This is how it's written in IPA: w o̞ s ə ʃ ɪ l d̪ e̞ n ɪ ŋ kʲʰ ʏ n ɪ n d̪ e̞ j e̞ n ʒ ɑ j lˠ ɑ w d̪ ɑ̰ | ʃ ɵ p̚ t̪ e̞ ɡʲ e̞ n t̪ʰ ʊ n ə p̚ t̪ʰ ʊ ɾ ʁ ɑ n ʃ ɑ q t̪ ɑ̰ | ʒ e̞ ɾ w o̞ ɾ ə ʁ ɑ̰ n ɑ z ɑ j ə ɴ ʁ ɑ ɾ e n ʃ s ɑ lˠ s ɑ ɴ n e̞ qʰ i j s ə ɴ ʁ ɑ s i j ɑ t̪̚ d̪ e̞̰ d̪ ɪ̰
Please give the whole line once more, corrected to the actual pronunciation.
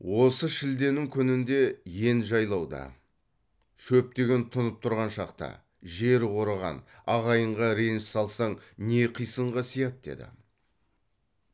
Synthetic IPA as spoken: w o̞ s ə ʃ ɪ l d̪ e̞ n ɪ ŋ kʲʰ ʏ n ɪ n d̪ e̞ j e̞ n ʒ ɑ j lˠ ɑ w d̪ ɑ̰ | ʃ ɵ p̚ t̪ e̞ ɡʲ e̞ n t̪ʰ ʊ n ə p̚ t̪ʰ ʊ ɾ ʁ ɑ n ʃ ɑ q t̪ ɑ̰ | ʒ e̞ ɾ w o̞ ɾ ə ʁ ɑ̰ n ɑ ʁ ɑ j ə ɴ ʁ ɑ ɾ e n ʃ s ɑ lˠ s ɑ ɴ n e̞ qʰ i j s ə ɴ ʁ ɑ s i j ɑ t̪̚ d̪ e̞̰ d̪ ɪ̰